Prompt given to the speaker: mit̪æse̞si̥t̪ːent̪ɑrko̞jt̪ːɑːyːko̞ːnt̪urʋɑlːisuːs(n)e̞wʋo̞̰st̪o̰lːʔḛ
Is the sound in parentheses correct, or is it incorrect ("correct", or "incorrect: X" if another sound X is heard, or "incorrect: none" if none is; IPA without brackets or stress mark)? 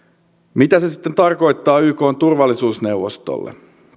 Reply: correct